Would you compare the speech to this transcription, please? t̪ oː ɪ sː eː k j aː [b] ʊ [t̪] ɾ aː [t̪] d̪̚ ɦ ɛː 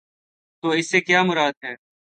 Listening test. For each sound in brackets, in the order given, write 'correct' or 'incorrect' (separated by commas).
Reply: incorrect, incorrect, incorrect